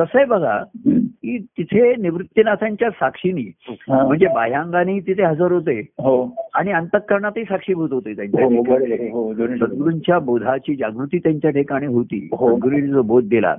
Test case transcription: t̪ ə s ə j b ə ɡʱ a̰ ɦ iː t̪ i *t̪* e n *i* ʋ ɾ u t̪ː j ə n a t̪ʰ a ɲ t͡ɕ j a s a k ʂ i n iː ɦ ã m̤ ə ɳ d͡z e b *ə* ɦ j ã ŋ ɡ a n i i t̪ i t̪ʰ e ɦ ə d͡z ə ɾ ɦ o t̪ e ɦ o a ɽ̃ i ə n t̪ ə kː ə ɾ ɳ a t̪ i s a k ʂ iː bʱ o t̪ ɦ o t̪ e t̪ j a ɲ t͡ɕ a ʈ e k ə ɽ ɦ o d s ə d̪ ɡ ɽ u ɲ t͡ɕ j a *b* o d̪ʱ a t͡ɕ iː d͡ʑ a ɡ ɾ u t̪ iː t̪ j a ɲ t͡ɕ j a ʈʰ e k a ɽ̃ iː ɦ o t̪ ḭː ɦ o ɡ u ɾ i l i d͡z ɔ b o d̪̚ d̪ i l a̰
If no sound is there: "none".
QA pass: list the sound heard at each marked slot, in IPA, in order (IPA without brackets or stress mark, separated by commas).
t̪ʰ, i, a, b